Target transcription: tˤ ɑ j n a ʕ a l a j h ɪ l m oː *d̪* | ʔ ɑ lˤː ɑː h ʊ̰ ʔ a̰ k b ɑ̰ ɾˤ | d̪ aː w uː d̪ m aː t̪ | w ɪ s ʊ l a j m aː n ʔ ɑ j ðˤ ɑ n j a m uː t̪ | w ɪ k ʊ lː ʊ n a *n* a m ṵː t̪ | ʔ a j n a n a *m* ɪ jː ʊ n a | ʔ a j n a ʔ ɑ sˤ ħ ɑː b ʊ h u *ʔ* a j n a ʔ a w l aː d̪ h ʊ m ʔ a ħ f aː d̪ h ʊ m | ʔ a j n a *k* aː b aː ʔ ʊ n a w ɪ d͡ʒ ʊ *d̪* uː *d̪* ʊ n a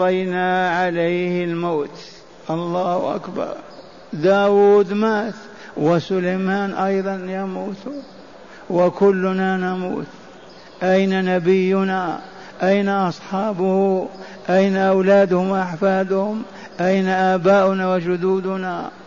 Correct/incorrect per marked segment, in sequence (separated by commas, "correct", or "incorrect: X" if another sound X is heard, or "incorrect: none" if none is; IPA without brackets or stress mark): incorrect: t̪, correct, incorrect: b, correct, incorrect: ʔ, correct, correct